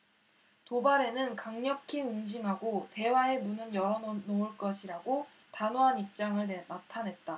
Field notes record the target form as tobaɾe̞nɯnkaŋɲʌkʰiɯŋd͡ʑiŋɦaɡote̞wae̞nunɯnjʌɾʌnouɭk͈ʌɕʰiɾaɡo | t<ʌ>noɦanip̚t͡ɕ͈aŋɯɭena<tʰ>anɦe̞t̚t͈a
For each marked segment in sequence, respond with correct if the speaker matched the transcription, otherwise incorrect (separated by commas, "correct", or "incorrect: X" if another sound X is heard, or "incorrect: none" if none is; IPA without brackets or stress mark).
incorrect: a, correct